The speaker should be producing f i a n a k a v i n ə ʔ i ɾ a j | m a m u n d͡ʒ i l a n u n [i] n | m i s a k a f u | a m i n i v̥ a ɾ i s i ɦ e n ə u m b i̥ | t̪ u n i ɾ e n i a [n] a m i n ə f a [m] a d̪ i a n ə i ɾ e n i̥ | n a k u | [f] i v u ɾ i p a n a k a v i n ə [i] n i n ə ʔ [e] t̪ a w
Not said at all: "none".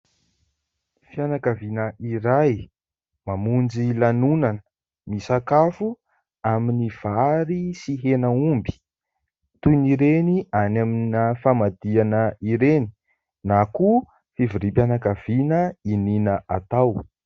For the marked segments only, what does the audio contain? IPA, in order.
a, n, m, f, i, a

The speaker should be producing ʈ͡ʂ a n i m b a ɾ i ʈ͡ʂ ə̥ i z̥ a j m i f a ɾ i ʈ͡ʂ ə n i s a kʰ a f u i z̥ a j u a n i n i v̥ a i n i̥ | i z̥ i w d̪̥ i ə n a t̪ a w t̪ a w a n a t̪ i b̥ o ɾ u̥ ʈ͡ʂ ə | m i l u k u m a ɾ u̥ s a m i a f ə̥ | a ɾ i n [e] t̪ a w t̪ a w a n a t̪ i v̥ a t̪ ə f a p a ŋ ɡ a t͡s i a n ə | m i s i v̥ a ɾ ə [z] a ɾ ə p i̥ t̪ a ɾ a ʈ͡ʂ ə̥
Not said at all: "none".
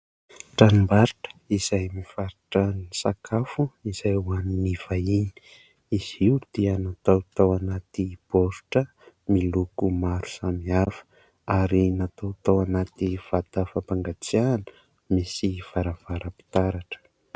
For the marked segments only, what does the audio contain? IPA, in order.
a, v

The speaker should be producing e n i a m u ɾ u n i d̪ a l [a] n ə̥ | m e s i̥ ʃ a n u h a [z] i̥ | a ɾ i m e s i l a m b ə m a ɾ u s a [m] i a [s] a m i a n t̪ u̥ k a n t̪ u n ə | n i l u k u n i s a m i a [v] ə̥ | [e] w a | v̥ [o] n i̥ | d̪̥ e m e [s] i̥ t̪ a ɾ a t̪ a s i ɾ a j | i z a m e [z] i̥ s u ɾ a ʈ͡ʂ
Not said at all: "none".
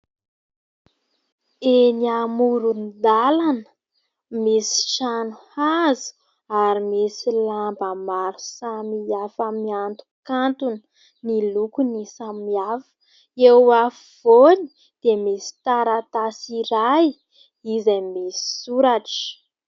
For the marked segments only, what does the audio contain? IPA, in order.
a, z, m, f, f, e, o, s, s

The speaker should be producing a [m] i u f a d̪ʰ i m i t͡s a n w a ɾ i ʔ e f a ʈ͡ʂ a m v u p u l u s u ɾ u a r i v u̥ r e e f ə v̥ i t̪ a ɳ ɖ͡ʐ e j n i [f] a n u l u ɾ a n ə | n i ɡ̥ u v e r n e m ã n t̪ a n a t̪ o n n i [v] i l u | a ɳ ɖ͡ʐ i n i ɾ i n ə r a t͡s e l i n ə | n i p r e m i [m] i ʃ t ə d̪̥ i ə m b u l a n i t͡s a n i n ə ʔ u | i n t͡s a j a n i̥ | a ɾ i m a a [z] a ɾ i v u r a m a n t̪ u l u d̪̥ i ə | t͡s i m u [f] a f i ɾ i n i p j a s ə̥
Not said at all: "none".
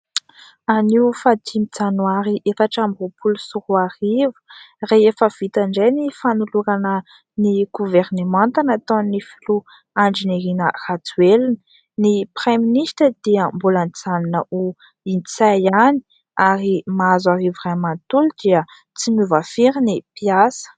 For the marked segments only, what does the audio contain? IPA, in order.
n, f, f, n, z, v

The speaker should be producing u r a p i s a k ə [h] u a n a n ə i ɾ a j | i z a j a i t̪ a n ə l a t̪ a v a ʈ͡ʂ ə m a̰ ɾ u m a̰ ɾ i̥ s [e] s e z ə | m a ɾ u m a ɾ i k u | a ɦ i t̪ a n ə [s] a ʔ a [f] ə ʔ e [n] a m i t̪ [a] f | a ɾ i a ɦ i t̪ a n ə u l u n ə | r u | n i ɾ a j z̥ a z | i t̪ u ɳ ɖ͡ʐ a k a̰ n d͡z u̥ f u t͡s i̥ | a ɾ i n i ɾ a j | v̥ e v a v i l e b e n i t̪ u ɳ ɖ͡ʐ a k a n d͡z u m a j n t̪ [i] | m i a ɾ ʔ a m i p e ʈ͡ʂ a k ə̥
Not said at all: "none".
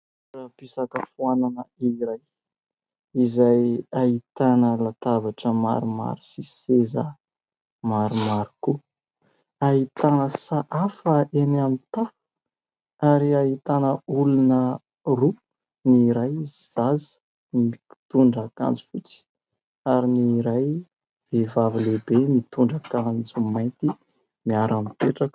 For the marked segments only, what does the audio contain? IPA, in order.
f, i, s, f, n, a, i

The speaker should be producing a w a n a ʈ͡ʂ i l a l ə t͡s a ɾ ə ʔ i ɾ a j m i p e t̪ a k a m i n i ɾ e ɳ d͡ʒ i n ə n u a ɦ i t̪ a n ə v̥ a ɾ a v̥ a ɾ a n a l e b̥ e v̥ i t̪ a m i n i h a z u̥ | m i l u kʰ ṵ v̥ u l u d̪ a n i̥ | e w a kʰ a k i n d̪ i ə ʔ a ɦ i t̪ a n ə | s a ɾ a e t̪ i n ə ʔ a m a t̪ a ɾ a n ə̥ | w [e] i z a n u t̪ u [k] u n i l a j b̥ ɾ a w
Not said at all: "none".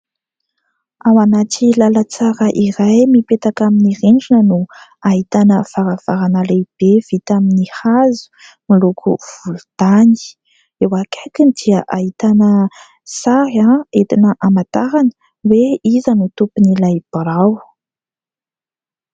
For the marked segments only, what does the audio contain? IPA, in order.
e, p

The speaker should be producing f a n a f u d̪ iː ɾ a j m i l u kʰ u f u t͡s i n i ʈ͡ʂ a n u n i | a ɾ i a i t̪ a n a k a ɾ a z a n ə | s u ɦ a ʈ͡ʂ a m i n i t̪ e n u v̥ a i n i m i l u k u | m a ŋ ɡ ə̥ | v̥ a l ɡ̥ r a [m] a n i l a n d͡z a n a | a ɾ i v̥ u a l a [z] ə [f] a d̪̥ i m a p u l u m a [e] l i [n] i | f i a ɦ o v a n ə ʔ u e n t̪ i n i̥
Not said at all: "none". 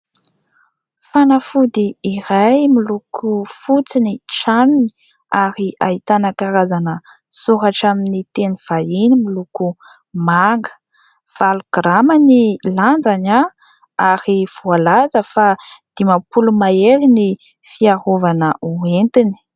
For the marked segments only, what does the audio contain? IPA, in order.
m, z, f, e, n

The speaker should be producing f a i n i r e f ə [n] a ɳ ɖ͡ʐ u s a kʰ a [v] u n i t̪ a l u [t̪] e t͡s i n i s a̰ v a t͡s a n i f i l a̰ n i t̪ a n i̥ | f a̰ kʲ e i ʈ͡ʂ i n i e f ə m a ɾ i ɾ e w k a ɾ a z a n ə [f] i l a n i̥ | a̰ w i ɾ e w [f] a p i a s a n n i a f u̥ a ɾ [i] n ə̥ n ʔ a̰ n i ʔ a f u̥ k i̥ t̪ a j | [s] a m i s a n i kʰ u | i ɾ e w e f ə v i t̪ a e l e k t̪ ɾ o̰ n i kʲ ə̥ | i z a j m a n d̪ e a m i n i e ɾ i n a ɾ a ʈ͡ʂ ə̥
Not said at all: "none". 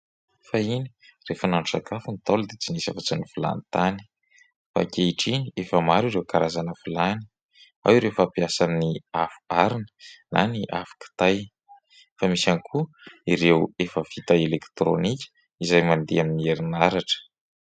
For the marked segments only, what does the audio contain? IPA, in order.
n, f, d̪, f, f, i, f

